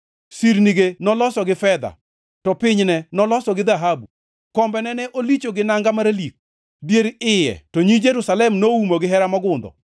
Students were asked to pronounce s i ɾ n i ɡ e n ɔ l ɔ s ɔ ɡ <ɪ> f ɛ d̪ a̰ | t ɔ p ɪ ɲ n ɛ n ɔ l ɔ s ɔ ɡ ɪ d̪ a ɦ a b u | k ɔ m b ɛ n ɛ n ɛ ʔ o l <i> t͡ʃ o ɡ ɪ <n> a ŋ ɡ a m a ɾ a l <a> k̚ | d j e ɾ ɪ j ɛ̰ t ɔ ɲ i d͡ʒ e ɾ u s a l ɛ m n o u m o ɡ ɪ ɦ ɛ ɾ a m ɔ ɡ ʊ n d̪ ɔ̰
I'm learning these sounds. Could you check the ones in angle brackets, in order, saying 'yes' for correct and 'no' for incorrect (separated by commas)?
yes, yes, yes, no